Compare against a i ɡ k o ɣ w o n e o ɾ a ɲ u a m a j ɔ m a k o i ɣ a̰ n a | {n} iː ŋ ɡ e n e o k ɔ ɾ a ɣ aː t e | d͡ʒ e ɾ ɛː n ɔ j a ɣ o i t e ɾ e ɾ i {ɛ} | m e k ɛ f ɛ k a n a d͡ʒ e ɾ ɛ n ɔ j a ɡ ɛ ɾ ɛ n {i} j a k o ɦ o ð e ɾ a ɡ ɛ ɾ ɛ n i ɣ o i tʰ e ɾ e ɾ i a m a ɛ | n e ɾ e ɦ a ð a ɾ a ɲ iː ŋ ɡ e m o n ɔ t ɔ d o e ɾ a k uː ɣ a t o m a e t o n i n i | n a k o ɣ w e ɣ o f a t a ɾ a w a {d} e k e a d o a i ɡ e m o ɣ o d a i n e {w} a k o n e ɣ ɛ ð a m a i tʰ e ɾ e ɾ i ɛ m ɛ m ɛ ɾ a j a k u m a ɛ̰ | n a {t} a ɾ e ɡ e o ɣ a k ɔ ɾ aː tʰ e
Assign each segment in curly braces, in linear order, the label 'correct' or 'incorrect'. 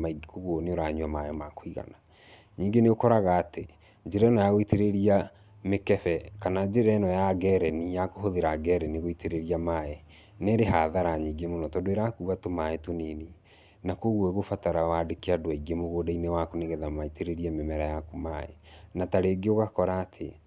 incorrect: ɲ, incorrect: a, correct, correct, correct, correct

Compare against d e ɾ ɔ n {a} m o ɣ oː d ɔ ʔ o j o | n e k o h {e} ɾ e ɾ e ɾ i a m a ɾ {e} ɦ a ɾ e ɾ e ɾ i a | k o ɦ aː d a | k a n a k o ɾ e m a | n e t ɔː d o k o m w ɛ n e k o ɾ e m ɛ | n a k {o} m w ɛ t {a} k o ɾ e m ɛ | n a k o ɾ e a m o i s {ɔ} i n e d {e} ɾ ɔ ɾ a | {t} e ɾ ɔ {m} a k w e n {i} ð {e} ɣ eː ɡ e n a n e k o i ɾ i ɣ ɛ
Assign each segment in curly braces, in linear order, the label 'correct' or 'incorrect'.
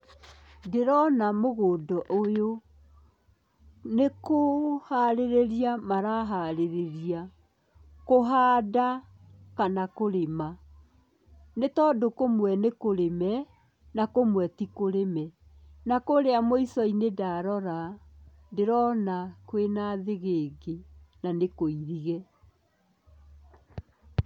correct, incorrect: a, incorrect: a, correct, incorrect: i, correct, incorrect: a, incorrect: d, incorrect: n, incorrect: a, correct

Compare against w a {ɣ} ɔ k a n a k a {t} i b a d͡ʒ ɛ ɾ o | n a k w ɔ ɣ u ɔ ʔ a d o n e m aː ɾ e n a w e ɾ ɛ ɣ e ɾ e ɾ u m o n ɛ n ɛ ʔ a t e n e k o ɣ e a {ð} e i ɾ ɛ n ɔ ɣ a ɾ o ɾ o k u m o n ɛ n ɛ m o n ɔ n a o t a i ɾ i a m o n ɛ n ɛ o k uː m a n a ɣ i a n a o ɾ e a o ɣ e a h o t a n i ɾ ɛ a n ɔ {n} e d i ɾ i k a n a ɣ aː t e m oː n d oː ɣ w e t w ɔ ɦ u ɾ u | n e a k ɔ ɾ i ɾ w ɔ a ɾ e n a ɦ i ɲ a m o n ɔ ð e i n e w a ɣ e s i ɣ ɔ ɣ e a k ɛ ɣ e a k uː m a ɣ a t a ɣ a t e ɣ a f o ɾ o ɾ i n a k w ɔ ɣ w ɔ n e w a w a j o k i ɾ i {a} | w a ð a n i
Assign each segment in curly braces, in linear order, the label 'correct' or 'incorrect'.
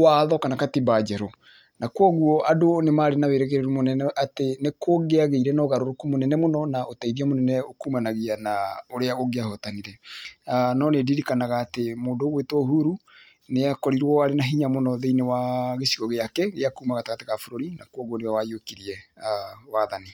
incorrect: ð, correct, incorrect: ɣ, correct, incorrect: ɛ

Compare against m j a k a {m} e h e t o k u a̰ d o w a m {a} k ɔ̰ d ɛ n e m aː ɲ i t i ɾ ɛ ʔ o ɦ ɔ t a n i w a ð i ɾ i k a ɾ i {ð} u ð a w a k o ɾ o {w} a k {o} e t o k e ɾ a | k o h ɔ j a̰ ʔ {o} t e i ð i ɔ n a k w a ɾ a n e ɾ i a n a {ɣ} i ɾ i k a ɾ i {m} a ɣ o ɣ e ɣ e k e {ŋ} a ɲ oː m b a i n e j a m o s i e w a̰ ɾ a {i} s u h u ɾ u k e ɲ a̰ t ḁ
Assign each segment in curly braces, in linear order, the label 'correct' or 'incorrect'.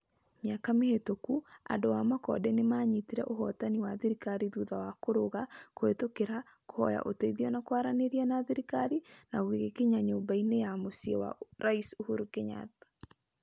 correct, correct, correct, incorrect: ɣ, correct, correct, incorrect: ð, incorrect: n, incorrect: ɲ, correct

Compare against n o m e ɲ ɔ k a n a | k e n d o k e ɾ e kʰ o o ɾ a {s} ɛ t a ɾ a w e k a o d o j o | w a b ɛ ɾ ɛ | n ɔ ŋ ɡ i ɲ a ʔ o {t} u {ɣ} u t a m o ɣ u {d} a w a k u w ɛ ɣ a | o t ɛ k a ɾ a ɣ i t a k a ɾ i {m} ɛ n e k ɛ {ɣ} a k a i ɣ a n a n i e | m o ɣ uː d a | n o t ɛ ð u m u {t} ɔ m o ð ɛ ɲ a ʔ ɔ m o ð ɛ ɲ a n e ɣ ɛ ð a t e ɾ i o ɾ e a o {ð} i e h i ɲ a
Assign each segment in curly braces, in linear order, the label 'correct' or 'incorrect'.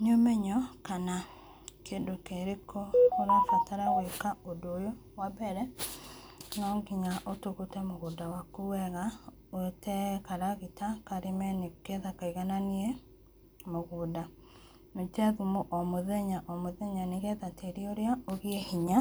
incorrect: f, correct, correct, correct, correct, incorrect: ð, incorrect: ʔ, incorrect: ɣ

